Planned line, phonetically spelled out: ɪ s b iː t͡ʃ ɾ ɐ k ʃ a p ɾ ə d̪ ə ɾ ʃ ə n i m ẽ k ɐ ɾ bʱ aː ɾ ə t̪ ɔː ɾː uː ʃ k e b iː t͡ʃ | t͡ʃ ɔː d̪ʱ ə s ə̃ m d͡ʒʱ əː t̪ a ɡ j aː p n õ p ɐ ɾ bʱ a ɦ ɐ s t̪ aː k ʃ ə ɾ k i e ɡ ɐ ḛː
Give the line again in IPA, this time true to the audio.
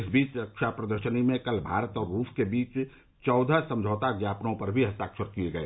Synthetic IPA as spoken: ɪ s b iː t͡ʃ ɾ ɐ k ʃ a p ɾ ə d̪ ə ɾ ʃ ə n i m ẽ k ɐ l bʱ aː ɾ ə t̪ ɔː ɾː uː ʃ k e b iː t͡ʃ | t͡ʃ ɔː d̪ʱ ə s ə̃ m d͡ʒʱ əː t̪ a ɡ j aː p n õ p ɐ ɾ bʱ i ɦ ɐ s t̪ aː k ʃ ə ɾ k i e ɡ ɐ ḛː

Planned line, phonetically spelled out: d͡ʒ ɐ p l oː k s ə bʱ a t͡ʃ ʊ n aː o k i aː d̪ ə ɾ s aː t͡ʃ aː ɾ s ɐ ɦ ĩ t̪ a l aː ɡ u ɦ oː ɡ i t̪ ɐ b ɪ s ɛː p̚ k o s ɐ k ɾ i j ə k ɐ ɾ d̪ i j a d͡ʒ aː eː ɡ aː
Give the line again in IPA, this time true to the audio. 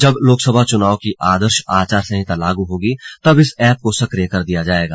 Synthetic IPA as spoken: d͡ʒ ɐ b l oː k s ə bʱ a t͡ʃ ʊ n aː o k i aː d̪ ə ɾ ʃ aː t͡ʃ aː ɾ s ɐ ɦ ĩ t̪ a l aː ɡ u ɦ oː ɡ i t̪ ɐ b ɪ s ɛː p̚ k o s ɐ k ɾ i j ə k ɐ ɾ d̪ i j a d͡ʒ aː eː ɡ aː

